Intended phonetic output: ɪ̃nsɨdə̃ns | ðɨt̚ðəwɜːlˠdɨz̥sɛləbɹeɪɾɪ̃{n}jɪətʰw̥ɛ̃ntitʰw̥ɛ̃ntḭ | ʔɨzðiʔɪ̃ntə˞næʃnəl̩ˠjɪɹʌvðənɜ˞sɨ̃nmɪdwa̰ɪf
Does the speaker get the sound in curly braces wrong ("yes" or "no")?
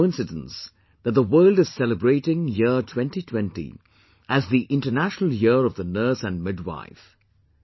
yes